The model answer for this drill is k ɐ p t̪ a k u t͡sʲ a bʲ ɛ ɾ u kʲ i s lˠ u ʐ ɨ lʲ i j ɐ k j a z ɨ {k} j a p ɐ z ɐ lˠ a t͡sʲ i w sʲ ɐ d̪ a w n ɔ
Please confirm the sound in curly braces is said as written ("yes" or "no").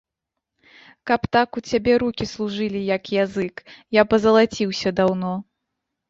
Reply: yes